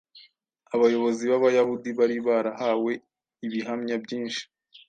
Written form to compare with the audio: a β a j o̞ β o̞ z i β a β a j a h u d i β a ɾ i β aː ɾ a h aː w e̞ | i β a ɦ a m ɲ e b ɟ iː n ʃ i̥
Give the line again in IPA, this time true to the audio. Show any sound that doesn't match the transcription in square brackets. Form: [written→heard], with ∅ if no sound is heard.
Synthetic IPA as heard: a β a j o̞ β o̞ z i β a β a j a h u d i β a ɾ i β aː ɾ a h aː w e̞ | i β [a→i] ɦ a m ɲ [e→a] b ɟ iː n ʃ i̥